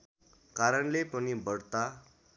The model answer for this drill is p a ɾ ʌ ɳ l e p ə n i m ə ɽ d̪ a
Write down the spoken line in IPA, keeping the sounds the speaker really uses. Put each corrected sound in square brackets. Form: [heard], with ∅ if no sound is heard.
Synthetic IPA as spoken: [k] a ɾ [ə] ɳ l e p ə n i [b] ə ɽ [t̪] a

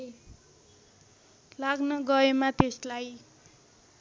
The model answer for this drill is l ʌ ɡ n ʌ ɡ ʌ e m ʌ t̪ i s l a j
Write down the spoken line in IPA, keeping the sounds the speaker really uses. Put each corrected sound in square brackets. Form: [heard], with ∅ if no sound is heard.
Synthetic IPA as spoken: l [a] ɡ n ʌ ɡ ʌ e m [a] t̪ [e] s l a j

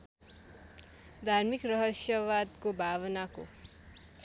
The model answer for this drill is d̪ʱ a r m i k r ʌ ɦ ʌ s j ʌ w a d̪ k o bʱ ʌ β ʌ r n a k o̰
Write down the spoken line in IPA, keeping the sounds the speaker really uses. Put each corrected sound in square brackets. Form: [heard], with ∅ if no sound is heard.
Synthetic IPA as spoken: d̪ʱ a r m i k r ʌ ɦ ʌ s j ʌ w a d̪ k o bʱ [a] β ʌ [∅] n a k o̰

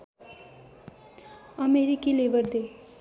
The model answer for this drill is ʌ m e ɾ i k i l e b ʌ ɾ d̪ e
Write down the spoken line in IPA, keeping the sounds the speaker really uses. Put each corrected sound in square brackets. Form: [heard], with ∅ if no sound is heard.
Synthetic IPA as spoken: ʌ m e ɾ i k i l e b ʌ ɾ d̪ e

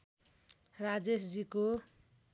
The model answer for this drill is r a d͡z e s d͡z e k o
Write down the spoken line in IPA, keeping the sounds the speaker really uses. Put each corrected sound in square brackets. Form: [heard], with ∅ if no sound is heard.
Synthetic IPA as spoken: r a d͡z e s d͡z [i] k o

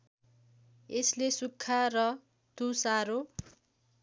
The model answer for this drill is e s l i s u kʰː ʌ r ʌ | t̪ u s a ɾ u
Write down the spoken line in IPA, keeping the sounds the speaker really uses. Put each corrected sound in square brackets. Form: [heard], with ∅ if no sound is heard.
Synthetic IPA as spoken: e s l [e] s u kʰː [a] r ʌ | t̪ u s a ɾ [o]

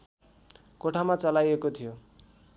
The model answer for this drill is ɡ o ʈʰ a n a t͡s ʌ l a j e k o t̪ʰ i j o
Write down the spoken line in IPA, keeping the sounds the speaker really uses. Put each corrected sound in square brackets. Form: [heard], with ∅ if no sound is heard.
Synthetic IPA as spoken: [k] o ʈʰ a [m] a t͡s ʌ l a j e k o t̪ʰ i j o

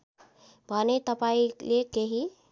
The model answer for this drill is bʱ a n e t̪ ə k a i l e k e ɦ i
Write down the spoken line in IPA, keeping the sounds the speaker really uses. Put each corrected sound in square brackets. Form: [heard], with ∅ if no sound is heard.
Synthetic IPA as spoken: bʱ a n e t̪ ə [p] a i l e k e ɦ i

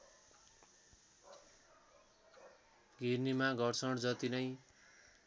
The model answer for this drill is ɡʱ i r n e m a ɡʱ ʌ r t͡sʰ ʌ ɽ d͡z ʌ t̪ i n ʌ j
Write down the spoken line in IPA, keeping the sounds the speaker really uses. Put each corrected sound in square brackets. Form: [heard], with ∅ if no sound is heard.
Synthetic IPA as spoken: ɡʱ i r n [i] m a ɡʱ ʌ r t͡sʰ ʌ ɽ d͡z ʌ t̪ i n ʌ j

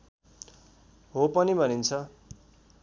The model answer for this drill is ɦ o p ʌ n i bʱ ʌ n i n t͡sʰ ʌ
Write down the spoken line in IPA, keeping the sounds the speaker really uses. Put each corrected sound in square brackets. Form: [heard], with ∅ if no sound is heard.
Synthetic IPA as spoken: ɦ o p ʌ n i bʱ ʌ n i n t͡sʰ ʌ

